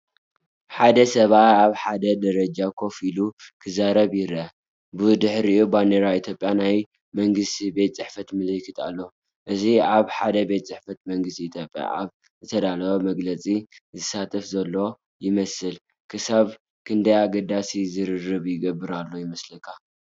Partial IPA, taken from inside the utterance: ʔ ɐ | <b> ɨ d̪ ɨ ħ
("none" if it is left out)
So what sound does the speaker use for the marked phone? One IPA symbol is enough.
b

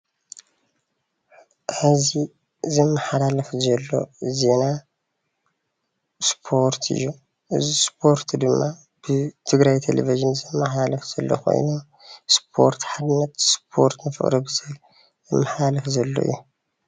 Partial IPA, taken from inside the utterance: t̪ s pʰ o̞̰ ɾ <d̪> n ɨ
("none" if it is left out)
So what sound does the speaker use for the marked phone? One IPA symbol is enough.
t̪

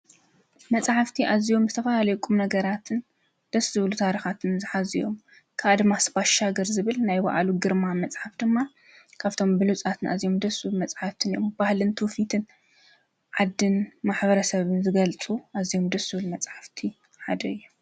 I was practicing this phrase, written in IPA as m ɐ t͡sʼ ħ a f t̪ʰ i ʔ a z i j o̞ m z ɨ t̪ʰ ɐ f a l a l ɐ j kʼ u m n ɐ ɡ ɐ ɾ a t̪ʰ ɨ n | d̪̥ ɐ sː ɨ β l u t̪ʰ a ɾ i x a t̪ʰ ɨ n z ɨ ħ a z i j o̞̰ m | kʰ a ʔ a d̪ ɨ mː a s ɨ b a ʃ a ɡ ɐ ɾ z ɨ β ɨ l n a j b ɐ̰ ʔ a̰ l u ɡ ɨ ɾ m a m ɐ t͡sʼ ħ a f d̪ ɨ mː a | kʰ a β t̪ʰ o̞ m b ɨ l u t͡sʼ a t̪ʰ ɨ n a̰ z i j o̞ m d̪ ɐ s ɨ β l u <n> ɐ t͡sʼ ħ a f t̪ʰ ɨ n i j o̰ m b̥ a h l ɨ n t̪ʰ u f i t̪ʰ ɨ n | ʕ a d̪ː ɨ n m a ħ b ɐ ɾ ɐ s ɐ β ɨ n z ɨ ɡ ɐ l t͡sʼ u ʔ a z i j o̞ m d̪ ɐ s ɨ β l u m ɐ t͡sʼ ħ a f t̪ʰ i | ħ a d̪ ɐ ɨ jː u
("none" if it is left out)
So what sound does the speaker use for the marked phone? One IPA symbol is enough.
m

